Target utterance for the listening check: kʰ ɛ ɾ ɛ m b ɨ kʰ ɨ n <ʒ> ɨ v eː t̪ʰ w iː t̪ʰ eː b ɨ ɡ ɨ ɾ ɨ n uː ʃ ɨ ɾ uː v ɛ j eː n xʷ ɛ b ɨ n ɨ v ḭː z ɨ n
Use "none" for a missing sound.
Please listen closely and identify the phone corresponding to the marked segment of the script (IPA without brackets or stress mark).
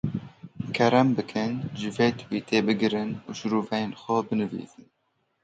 ʒ